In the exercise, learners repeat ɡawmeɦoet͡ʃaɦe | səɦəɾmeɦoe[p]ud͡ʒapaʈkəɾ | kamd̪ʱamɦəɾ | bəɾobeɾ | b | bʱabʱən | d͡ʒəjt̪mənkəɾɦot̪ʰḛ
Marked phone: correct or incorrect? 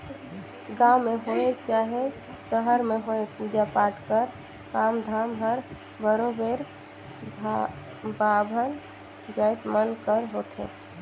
correct